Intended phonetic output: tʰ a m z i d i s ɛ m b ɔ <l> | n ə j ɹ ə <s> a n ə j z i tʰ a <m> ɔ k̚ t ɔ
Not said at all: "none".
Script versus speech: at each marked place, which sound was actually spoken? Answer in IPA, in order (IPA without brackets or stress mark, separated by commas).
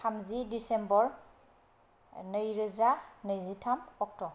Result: ɹ, z, m